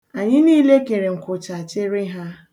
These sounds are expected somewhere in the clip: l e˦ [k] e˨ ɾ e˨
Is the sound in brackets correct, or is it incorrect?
correct